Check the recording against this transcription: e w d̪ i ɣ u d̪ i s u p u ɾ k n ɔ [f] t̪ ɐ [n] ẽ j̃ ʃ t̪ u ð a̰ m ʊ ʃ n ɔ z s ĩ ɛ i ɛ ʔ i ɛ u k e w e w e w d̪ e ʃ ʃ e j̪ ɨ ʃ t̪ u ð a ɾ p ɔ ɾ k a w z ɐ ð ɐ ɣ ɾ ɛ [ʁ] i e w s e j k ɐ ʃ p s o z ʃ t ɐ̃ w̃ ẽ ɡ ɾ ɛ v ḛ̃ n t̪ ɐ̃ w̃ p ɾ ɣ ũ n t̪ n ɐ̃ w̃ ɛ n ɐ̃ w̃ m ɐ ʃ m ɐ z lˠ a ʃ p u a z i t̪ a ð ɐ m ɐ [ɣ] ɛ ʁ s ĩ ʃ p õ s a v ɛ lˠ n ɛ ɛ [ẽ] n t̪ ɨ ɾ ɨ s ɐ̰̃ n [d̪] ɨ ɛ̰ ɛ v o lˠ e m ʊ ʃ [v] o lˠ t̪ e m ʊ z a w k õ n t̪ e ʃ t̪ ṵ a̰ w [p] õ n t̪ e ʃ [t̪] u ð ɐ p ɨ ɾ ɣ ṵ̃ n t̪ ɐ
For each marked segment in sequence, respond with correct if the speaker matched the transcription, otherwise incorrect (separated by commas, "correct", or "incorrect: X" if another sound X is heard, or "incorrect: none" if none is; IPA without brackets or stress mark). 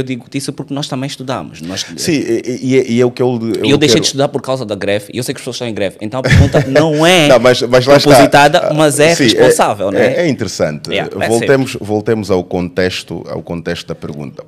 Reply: incorrect: ʃ, incorrect: m, incorrect: v, incorrect: z, incorrect: ĩ, incorrect: t̪, correct, incorrect: k, correct